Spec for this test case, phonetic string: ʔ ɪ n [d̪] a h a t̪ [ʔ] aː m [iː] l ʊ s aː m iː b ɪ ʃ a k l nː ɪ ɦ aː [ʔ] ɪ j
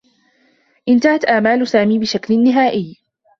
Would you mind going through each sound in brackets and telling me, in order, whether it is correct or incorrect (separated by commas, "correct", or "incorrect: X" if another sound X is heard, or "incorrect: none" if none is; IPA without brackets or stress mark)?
incorrect: t̪, correct, incorrect: aː, correct